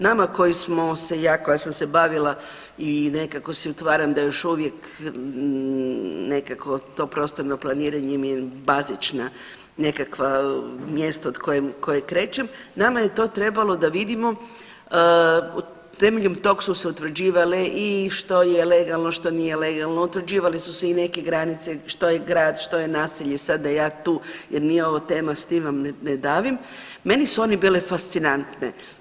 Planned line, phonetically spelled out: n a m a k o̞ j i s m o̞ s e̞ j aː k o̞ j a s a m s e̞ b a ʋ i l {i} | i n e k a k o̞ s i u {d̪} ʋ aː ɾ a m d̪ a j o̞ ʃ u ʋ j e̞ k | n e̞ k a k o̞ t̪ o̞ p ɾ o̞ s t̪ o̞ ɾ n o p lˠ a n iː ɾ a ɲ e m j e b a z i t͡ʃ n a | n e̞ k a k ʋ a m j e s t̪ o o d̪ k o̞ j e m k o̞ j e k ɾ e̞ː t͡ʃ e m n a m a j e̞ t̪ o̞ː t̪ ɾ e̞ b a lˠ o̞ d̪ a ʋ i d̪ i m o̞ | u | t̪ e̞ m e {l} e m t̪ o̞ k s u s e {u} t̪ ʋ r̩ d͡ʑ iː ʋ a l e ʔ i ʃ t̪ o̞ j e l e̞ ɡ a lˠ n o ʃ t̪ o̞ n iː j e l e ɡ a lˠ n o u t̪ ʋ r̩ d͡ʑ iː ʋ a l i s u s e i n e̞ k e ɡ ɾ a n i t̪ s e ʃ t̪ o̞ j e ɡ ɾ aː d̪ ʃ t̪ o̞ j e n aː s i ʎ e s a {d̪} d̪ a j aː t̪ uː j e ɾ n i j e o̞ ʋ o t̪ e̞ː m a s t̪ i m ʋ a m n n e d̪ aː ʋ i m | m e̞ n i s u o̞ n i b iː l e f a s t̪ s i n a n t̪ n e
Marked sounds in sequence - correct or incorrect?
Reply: incorrect, incorrect, incorrect, correct, correct

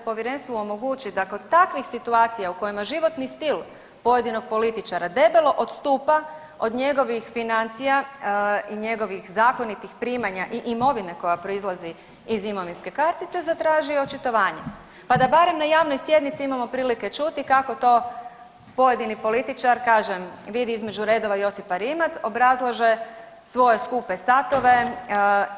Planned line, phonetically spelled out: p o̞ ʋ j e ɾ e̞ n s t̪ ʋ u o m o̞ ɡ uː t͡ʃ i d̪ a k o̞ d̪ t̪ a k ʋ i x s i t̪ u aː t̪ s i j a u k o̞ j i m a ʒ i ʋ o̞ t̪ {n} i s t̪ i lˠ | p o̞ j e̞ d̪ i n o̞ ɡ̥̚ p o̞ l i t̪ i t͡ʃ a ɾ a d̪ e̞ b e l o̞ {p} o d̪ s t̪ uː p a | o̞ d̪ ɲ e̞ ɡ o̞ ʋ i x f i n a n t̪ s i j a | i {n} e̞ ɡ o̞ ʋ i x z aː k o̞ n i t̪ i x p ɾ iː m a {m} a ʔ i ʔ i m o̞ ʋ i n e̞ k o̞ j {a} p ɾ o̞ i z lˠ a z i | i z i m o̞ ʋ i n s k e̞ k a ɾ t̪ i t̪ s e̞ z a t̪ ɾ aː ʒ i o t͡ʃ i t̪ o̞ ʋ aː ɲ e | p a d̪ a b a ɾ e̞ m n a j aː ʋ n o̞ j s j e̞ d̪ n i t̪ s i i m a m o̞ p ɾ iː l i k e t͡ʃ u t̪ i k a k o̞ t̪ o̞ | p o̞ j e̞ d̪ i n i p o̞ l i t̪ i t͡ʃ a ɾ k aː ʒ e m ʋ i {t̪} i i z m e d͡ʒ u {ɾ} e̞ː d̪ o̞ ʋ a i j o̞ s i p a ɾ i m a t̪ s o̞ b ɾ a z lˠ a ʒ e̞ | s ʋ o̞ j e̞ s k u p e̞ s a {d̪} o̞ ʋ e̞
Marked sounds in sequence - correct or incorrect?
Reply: correct, incorrect, incorrect, incorrect, correct, incorrect, correct, incorrect

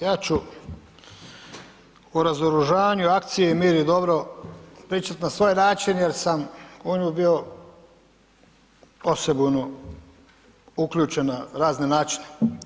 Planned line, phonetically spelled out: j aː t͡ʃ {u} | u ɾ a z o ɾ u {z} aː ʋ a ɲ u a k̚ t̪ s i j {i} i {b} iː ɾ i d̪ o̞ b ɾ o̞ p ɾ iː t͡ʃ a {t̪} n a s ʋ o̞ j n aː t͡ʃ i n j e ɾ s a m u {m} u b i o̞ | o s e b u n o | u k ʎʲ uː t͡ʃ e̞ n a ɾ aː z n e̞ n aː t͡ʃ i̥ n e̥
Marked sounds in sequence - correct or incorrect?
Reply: correct, incorrect, incorrect, incorrect, correct, incorrect

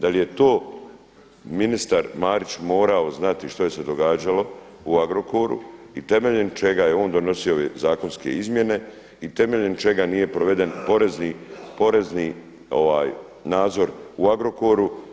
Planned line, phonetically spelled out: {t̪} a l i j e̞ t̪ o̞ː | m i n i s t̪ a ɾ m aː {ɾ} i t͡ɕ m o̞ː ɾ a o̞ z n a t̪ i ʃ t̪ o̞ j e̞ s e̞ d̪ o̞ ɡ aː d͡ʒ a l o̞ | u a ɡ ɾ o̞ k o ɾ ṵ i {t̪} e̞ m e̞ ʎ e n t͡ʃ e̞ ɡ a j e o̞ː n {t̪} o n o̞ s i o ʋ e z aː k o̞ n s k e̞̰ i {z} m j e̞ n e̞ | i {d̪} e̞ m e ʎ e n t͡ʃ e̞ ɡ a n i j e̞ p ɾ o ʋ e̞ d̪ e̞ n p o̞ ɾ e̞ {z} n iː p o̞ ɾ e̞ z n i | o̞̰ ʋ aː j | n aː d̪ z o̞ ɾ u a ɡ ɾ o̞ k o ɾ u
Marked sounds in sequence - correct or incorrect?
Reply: incorrect, correct, correct, incorrect, correct, incorrect, correct

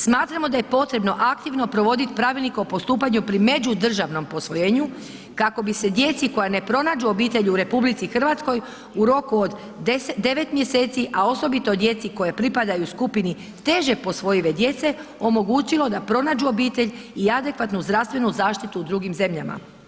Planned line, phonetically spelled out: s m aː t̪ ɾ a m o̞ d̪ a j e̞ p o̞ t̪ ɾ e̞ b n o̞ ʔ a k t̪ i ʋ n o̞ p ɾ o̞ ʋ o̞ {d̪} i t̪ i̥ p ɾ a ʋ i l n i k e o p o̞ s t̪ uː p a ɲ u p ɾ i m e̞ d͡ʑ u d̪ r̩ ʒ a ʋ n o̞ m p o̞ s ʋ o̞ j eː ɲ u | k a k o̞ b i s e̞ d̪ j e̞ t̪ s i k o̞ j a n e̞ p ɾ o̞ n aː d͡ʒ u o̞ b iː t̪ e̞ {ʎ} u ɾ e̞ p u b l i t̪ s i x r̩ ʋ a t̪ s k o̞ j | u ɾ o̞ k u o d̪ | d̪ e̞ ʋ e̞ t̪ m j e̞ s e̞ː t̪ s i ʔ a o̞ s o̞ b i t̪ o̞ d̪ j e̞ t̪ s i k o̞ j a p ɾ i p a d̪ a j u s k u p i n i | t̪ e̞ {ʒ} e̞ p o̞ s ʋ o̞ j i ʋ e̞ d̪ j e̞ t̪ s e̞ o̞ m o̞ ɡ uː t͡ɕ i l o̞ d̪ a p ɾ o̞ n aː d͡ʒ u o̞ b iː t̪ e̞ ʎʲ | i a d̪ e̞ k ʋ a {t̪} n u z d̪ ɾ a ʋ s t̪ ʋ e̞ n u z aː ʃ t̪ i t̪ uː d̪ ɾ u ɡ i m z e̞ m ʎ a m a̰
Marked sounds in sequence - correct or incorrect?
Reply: correct, correct, correct, correct

